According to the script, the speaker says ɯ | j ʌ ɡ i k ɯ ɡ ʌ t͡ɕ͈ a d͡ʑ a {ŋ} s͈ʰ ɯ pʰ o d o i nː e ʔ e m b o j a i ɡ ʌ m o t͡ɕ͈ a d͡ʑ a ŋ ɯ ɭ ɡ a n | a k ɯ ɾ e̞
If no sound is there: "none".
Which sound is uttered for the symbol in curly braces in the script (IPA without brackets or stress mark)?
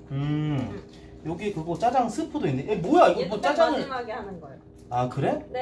ŋ